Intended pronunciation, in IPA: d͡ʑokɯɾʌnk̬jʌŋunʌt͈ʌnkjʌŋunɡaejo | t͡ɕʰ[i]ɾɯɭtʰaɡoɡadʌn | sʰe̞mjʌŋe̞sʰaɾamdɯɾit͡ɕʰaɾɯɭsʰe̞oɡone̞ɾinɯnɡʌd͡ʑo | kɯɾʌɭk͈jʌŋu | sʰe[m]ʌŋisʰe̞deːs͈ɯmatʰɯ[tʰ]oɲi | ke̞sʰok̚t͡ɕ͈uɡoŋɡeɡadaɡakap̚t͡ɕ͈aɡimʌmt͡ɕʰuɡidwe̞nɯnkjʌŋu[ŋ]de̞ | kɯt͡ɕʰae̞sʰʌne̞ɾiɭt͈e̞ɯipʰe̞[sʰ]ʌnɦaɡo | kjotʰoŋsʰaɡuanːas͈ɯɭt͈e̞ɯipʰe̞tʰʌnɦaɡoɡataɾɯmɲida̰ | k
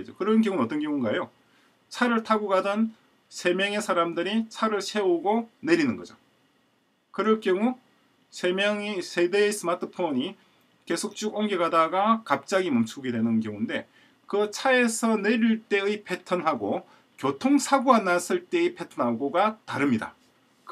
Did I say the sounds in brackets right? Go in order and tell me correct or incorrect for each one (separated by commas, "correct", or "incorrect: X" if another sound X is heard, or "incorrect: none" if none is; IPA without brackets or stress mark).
incorrect: a, correct, incorrect: pʰ, incorrect: n, incorrect: tʰ